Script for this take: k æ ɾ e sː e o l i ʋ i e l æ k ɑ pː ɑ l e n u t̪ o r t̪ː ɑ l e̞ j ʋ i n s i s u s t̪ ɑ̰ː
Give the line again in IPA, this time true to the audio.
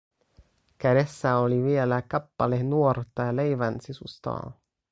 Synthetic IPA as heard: k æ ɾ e sː æ o l i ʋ i e l æ k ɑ pː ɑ l e n u o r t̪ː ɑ l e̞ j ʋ æ n s i s u s t̪ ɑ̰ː